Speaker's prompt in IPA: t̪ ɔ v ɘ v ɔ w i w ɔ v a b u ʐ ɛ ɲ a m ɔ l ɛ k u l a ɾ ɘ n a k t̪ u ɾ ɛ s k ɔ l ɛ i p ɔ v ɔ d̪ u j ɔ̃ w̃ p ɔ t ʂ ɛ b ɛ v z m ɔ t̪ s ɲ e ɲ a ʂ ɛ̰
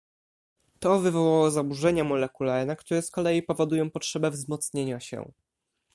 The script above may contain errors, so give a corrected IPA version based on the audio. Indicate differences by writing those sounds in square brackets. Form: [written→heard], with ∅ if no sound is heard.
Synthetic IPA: t̪ ɔ v ɘ v ɔ w [i→a] w ɔ [v→z] a b u ʐ ɛ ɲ a m ɔ l ɛ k u l a ɾ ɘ n a k t̪ u ɾ ɛ s k ɔ l ɛ i p ɔ v ɔ d̪ u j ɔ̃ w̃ p ɔ t ʂ ɛ b ɛ v z m ɔ t̪ s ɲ e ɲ a [ʂ→ɕ] ɛ̰